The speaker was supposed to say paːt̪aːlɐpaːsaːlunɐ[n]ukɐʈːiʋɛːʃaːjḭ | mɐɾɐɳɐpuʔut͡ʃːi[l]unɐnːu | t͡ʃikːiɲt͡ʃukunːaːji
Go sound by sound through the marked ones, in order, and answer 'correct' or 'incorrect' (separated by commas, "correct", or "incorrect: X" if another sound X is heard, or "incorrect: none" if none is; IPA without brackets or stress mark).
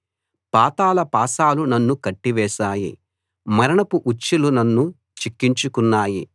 incorrect: nː, correct